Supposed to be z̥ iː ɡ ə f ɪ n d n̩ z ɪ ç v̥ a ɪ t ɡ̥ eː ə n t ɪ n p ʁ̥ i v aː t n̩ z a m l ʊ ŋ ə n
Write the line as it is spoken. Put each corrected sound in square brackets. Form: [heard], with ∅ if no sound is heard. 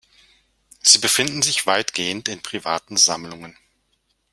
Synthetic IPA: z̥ iː [b] ə f ɪ n d n̩ z ɪ ç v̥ a ɪ t ɡ̥ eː ə n t ɪ n p ʁ̥ i v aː t n̩ z a m l ʊ ŋ ə n